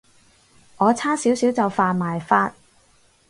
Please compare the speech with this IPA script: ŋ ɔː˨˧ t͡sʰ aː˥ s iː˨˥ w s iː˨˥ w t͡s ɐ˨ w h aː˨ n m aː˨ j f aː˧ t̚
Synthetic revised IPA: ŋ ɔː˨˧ t͡sʰ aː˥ s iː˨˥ w s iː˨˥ w t͡s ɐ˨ w f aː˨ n m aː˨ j f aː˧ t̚